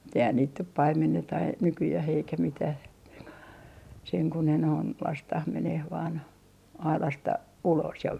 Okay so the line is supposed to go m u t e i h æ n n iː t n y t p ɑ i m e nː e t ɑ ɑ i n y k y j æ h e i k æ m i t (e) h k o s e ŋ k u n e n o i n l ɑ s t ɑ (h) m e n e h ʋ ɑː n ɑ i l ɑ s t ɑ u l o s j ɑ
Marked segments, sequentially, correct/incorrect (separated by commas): incorrect, correct